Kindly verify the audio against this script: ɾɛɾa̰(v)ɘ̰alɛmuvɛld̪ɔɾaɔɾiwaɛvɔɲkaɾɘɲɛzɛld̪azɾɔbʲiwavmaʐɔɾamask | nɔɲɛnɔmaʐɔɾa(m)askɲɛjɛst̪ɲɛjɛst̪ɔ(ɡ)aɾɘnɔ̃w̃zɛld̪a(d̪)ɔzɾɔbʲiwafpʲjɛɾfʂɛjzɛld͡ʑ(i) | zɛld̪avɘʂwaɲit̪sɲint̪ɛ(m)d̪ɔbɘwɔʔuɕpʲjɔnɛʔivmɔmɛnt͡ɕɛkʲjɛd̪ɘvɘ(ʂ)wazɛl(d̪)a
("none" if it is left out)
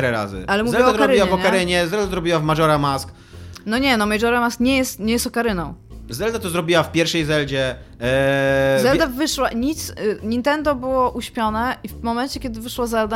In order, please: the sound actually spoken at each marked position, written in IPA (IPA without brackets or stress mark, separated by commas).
z, m, k, t̪, ɛ, n, ʂ, d̪